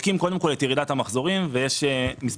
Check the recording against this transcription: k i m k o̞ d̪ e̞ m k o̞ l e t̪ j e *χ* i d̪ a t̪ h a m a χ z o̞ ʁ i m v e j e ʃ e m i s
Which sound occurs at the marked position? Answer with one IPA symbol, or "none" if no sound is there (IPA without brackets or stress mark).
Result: ʁ